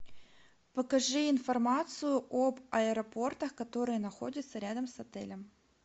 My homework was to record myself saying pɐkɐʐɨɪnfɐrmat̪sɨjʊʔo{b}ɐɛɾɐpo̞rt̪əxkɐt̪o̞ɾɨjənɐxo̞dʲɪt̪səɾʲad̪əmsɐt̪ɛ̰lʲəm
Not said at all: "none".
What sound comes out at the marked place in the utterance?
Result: b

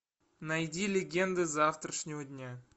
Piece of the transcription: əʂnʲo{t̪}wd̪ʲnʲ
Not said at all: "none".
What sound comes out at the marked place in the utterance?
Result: none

